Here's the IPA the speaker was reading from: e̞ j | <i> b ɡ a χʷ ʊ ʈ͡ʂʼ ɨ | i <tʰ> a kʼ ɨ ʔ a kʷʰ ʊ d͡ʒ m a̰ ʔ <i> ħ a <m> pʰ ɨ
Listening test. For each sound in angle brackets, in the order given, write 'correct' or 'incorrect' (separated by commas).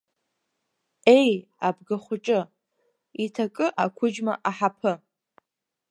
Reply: incorrect, correct, incorrect, incorrect